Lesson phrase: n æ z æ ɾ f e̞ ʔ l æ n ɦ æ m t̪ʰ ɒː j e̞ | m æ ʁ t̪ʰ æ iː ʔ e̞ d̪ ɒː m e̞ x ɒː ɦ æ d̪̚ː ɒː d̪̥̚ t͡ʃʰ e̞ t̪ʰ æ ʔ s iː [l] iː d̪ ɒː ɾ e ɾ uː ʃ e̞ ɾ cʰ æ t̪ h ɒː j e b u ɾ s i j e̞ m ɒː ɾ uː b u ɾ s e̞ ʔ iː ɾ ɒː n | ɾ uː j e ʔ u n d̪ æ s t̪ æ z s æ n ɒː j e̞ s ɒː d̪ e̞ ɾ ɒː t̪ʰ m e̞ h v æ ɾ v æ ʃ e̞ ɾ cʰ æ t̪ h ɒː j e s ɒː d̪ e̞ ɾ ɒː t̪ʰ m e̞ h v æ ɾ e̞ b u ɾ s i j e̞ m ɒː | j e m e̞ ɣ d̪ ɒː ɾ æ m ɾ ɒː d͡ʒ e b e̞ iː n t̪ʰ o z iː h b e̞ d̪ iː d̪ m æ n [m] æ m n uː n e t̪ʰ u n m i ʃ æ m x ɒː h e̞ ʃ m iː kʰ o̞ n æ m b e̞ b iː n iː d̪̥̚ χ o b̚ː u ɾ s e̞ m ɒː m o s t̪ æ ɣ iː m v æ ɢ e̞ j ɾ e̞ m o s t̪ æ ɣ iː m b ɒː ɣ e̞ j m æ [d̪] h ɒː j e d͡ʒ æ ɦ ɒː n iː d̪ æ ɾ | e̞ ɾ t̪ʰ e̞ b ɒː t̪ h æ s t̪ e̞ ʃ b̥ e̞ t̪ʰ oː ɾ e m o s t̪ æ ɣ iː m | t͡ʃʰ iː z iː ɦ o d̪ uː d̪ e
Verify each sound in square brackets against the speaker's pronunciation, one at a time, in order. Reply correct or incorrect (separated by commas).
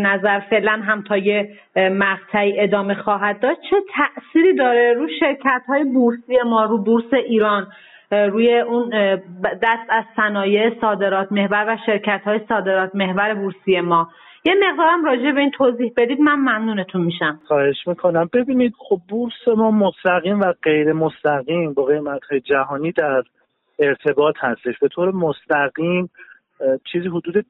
incorrect, correct, incorrect